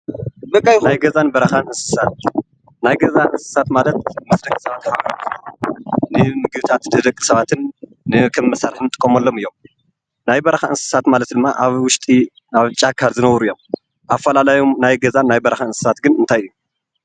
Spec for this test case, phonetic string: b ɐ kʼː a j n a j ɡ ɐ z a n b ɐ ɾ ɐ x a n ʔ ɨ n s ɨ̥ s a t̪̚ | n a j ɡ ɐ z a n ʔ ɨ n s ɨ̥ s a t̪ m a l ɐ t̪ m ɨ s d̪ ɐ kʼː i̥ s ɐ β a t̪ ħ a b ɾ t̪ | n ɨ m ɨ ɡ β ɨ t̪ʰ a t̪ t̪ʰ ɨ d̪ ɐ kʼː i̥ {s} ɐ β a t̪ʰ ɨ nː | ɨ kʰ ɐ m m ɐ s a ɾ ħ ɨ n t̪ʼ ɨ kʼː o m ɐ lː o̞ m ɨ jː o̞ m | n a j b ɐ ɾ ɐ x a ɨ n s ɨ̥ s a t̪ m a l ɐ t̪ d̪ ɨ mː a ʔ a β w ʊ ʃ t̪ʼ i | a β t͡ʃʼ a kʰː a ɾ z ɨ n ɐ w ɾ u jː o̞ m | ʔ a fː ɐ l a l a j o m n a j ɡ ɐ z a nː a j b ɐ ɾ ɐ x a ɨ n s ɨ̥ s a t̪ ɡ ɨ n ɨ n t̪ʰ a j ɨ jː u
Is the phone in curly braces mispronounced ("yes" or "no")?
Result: no